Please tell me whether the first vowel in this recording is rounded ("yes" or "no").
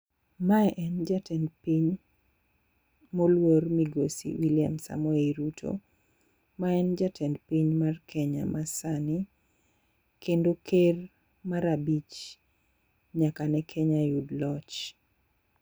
no